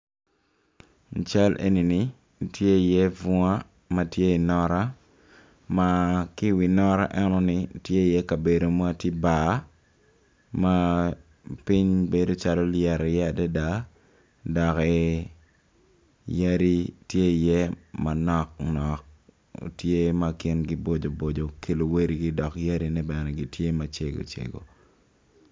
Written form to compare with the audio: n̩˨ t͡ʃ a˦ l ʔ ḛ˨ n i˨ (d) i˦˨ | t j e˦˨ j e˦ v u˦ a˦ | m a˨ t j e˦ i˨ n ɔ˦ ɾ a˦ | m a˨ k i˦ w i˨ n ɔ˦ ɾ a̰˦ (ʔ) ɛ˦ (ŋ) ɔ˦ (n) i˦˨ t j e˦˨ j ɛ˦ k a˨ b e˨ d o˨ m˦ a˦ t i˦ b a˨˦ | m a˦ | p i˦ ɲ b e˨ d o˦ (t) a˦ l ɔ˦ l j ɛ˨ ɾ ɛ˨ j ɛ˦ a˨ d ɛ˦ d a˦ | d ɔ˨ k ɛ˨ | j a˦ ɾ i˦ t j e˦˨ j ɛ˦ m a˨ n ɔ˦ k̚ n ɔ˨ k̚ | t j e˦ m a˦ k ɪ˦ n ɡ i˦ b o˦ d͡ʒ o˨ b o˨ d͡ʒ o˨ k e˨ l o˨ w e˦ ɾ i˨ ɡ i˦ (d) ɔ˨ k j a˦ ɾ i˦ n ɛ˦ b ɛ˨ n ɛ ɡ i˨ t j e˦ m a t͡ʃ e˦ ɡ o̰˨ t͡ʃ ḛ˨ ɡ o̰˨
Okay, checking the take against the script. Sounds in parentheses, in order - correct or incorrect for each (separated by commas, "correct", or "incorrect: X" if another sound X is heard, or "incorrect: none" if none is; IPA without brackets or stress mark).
incorrect: n, correct, incorrect: n, correct, incorrect: t͡ʃ, correct